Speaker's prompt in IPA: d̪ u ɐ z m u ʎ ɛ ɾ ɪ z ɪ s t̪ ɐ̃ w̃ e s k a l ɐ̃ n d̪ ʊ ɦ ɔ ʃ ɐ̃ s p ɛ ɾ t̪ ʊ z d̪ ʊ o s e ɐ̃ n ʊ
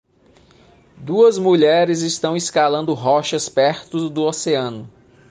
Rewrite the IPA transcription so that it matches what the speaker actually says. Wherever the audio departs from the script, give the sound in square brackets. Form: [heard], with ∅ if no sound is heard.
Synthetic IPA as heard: d̪ u ɐ z m u ʎ ɛ ɾ ɪ z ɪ s t̪ ɐ̃ w̃ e s k a l ɐ̃ n d̪ ʊ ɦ ɔ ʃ [ɐ] s p ɛ ɾ t̪ ʊ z d̪ ʊ o s e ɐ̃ n ʊ

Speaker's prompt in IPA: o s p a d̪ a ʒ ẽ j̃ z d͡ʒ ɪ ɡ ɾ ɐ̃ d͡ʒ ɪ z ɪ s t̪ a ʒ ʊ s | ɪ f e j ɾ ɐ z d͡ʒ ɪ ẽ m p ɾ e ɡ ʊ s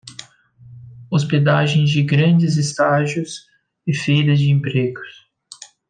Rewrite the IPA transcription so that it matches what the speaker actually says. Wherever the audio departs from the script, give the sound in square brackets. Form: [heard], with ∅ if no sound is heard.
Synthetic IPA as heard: o s p [e] d̪ a ʒ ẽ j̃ z d͡ʒ ɪ ɡ ɾ ɐ̃ d͡ʒ ɪ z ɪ s t̪ a ʒ ʊ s | ɪ f e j ɾ ɐ z d͡ʒ ɪ ẽ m p ɾ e ɡ ʊ s

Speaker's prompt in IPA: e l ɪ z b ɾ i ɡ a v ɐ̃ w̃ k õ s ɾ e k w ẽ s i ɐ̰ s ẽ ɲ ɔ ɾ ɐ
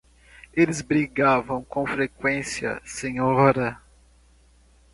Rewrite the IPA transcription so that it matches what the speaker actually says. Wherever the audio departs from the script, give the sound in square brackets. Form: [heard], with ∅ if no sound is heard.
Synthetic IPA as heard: e l ɪ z b ɾ i ɡ a v ɐ̃ w̃ k õ [f] ɾ e k w ẽ s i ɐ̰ s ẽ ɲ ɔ ɾ ɐ

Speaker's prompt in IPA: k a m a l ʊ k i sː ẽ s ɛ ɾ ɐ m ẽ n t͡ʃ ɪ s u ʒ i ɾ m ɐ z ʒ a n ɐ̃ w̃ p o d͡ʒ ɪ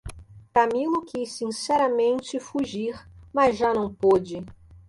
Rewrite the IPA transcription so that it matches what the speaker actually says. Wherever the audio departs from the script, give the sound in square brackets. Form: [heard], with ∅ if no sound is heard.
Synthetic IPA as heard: k a m [i] l ʊ k i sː [ĩ] s ɛ ɾ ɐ m ẽ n t͡ʃ ɪ [f] u ʒ i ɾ m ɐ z ʒ a n ɐ̃ w̃ p o d͡ʒ ɪ

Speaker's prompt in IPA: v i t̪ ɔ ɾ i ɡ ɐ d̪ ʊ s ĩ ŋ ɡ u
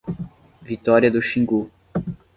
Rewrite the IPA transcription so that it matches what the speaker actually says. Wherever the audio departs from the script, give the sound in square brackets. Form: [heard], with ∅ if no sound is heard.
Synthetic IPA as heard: v i t̪ ɔ ɾ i [∅] ɐ d̪ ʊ [ʃ] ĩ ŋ ɡ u

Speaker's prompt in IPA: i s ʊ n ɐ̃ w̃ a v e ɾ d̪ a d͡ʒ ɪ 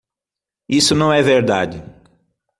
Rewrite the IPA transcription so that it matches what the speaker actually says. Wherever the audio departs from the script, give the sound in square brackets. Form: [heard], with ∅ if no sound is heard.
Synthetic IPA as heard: i s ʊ n ɐ̃ w̃ [ɛ] v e ɾ d̪ a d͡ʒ ɪ

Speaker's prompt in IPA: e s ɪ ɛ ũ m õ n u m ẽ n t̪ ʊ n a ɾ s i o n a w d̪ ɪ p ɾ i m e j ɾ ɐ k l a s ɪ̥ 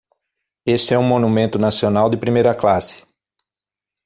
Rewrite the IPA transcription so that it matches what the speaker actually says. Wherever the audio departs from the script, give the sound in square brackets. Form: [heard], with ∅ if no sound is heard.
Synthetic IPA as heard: e s ɪ ɛ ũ m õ n u m ẽ n t̪ ʊ n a [∅] s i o n a w d̪ ɪ p ɾ i m e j ɾ ɐ k l a s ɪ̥

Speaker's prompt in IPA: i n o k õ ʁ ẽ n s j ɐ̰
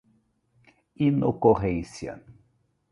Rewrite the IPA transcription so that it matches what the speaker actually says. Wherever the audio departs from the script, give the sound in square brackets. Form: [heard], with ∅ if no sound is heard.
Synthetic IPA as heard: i n o k [o] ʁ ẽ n s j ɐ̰

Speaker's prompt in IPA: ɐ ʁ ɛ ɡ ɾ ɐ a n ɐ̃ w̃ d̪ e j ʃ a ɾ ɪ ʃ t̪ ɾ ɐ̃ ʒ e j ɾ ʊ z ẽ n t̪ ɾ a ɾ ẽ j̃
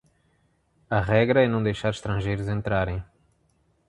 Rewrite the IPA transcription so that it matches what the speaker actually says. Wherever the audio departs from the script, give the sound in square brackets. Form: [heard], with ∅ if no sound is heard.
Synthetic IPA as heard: ɐ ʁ ɛ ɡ ɾ ɐ [ɛ] n ɐ̃ w̃ d̪ e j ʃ a ɾ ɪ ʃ t̪ ɾ ɐ̃ ʒ e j ɾ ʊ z ẽ n t̪ ɾ a ɾ ẽ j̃

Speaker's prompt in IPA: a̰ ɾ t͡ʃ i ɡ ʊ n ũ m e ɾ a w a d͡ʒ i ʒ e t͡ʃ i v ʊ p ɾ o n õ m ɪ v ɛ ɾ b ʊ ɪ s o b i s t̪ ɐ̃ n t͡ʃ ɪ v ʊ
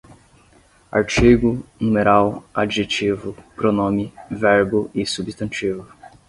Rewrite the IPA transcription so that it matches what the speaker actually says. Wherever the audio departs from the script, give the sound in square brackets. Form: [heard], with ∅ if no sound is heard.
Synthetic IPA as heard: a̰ ɾ t͡ʃ i ɡ ʊ n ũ m e ɾ a w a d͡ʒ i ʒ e t͡ʃ i v ʊ p ɾ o n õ m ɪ v ɛ ɾ b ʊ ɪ s [u] b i s t̪ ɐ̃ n t͡ʃ [i] v ʊ

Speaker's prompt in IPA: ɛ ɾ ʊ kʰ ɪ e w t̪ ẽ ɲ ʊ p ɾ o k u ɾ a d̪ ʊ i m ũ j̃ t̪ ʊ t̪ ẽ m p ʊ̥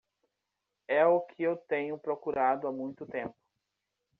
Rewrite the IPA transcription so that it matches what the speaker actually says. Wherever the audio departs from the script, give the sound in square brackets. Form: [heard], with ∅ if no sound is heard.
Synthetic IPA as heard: ɛ [∅] ʊ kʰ ɪ e w t̪ ẽ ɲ ʊ p ɾ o k u ɾ a d̪ ʊ [a] m ũ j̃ t̪ ʊ t̪ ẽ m p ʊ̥

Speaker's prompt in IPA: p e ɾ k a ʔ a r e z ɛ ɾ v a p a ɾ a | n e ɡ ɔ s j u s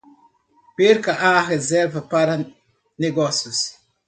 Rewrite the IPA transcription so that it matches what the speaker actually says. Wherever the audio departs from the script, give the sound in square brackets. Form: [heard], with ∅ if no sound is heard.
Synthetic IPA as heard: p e ɾ k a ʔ a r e z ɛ ɾ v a p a ɾ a | n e ɡ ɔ s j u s

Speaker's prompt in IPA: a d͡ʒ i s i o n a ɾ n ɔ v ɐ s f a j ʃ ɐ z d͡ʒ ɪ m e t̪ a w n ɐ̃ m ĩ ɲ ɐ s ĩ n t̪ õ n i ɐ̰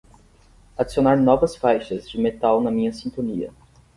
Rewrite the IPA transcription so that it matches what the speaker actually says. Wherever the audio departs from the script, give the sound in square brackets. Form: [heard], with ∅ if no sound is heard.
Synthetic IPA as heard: a d͡ʒ i s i o n a ɾ n ɔ v ɐ s f a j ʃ ɐ z d͡ʒ ɪ m e t̪ a w n [ɐ] m ĩ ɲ ɐ s ĩ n t̪ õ n i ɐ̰

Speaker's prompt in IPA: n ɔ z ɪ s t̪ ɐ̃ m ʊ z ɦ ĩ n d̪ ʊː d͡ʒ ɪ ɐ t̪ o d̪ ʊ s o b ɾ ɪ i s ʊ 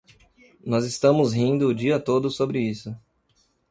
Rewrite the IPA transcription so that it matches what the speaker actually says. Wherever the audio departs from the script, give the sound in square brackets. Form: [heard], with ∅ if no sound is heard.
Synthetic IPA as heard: n ɔ z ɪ s t̪ ɐ̃ m ʊ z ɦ ĩ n d̪ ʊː d͡ʒ [i] ɐ t̪ o d̪ ʊ s o b ɾ ɪ i s ʊ

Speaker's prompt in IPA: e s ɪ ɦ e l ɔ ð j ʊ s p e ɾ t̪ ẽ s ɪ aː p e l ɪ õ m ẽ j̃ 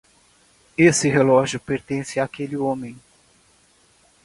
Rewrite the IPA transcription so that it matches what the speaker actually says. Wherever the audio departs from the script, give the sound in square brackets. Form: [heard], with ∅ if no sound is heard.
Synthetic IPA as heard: e s ɪ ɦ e l ɔ [ʒ] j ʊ [∅] p e ɾ t̪ ẽ s ɪ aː [k] e l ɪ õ m ẽ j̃

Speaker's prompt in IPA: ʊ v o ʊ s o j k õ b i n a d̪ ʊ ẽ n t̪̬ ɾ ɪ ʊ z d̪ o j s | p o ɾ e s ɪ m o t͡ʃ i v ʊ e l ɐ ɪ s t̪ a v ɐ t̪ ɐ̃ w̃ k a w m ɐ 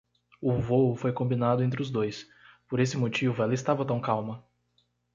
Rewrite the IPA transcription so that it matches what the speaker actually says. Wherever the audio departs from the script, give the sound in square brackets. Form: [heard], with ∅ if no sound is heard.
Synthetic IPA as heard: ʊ v o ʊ [f] o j k õ b i n a d̪ ʊ ẽ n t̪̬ ɾ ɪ ʊ z d̪ o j s | p o ɾ e s ɪ m o t͡ʃ i v ʊ [ɛ] l ɐ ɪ s t̪ a v ɐ t̪ ɐ̃ w̃ k a w m ɐ

